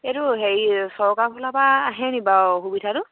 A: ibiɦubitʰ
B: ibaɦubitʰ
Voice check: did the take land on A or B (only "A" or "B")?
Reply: B